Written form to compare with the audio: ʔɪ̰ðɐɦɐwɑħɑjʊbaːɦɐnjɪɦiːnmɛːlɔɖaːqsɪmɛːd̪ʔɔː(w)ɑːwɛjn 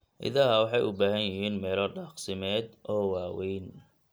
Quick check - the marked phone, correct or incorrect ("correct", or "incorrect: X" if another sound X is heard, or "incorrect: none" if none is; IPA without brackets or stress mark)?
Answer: correct